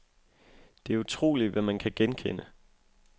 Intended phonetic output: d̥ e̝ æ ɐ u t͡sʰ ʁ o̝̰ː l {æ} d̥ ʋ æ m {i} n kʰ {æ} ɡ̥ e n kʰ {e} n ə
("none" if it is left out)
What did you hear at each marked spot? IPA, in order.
i, æ, æ, e

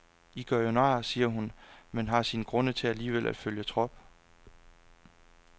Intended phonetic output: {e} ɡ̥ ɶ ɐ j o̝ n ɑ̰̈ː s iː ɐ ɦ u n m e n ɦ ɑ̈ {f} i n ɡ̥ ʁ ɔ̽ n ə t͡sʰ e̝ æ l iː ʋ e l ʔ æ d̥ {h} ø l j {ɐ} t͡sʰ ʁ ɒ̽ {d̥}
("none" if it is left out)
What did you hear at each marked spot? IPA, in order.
i, s, f, ə, b̥

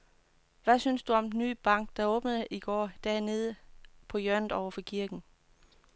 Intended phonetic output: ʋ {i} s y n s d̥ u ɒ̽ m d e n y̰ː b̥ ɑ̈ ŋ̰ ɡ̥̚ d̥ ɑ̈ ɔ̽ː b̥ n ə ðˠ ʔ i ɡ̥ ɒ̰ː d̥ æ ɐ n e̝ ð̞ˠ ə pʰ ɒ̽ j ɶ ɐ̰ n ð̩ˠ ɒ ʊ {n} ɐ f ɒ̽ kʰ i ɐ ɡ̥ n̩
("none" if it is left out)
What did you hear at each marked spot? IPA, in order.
æ, none

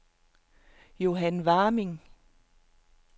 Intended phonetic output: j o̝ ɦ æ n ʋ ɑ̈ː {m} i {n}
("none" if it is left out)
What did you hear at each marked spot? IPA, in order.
m, ŋ

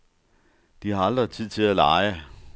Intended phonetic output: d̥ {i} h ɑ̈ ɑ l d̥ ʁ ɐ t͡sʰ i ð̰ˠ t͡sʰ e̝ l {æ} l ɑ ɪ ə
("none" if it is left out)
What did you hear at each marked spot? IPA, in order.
i, æ

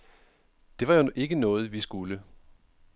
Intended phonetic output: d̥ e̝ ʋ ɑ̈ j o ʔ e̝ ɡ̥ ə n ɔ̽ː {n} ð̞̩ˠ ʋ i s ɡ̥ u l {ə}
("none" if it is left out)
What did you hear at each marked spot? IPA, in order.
none, ə

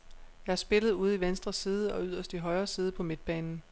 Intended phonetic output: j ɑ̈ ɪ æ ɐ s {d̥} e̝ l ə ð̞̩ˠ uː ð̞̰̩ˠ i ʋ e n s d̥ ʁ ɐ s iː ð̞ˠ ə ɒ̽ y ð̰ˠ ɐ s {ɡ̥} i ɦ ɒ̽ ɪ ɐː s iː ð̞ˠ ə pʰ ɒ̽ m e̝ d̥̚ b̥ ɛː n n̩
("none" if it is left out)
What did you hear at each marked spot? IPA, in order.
b̥, d̥

